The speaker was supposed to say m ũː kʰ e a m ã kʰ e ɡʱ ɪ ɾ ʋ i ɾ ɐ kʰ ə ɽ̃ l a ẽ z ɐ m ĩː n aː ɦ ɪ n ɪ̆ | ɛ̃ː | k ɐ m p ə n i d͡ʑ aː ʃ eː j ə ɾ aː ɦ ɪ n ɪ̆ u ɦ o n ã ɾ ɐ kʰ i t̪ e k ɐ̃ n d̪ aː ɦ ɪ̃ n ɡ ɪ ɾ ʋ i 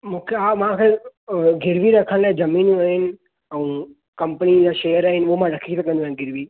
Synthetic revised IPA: m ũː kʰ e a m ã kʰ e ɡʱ ɪ ɾ ʋ i ɾ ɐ kʰ ə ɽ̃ l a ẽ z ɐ m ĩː n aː ɦ ɪ n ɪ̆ | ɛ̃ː | k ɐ m p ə n i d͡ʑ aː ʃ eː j ə ɾ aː ɦ ɪ n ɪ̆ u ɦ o m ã ɾ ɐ kʰ i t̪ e k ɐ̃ n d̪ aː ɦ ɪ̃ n ɡ ɪ ɾ ʋ i